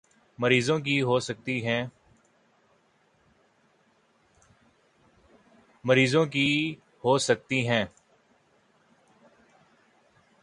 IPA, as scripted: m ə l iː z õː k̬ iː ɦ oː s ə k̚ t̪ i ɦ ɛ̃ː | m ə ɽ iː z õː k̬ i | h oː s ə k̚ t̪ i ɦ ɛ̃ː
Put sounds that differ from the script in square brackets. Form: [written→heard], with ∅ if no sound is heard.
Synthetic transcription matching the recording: m ə [l→ɾ] iː z õː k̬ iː ɦ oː s ə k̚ t̪ i ɦ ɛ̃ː | m ə [ɽ→ɾ] iː z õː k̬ i | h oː s ə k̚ t̪ i ɦ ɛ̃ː